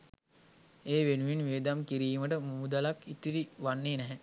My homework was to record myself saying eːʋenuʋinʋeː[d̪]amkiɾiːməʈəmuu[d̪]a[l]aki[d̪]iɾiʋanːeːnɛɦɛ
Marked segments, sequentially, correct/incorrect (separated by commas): correct, correct, correct, incorrect